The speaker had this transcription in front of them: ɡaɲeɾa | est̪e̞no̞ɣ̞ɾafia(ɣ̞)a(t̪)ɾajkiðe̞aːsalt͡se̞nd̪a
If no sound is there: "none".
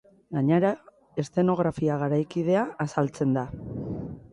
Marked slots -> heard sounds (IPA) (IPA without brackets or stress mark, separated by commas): ɣ̞, none